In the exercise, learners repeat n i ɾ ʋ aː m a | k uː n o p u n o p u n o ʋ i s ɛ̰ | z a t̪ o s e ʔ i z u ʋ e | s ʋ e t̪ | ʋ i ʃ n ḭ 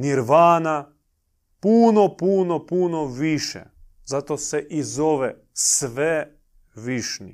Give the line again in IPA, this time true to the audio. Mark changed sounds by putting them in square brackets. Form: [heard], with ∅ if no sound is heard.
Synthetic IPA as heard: n i ɾ ʋ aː [n] a | [p] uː n o p u n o p u n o ʋ i [ʃ] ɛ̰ | z a t̪ o s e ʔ i z [o] ʋ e | s ʋ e [∅] | ʋ i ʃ n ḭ